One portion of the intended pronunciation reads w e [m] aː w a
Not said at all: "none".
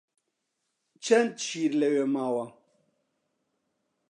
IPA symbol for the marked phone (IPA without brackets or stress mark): m